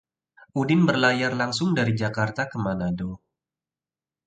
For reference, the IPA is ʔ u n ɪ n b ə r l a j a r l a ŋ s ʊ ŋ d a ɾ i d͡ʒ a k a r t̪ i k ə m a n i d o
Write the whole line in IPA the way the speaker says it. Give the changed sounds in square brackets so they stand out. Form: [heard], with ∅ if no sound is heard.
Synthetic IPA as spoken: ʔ u [d] ɪ n b ə r l a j a r l a ŋ s ʊ ŋ d a ɾ i d͡ʒ a k a r t̪ [a] k ə m a n [a] d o